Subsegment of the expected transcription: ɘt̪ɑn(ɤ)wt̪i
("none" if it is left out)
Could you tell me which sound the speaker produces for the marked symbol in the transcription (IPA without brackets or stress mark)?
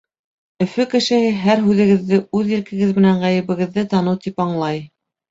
ɤ